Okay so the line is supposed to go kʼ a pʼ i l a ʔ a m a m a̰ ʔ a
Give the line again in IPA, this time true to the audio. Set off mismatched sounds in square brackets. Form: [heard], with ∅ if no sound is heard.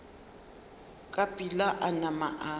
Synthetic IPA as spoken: kʼ a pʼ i l a ʔ a [n] a m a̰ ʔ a